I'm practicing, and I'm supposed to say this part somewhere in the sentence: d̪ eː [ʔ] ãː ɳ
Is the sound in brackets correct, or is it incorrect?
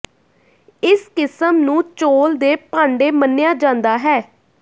incorrect